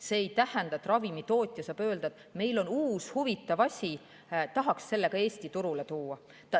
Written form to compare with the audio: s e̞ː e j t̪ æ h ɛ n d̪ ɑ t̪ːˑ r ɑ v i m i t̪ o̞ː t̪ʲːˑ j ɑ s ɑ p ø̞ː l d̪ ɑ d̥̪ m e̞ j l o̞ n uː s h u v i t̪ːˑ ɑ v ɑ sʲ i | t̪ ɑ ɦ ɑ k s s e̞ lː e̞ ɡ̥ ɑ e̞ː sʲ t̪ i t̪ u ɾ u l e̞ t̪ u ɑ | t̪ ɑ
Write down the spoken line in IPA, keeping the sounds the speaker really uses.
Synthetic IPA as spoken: s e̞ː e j t̪ æ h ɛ n d̪ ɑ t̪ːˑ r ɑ v i m i t̪ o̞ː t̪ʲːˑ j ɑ s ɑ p ø̞ː l d̪ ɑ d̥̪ m e̞ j l o̞ n uː s h u v i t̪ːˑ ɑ v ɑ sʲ i | t̪ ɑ ɦ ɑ k s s e̞ lː e̞ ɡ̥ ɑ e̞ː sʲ t̪ i t̪ u ɾ u l e̞ t̪ uː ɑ | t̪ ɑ